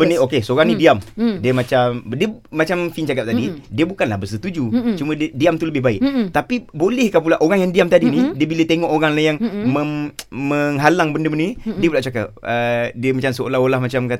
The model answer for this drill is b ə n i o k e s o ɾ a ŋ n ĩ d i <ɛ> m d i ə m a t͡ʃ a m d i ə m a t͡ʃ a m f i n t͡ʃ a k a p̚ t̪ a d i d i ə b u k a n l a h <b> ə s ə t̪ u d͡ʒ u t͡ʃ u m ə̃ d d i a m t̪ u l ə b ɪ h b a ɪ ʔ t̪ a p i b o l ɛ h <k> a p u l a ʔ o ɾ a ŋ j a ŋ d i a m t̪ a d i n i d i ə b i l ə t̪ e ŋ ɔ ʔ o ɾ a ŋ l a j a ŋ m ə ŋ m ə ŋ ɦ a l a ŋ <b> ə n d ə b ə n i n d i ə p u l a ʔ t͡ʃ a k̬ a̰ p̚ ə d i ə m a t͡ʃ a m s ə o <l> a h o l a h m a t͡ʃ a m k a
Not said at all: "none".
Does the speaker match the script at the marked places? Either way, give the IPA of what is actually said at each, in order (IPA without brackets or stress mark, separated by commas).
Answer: a, b, k, b, l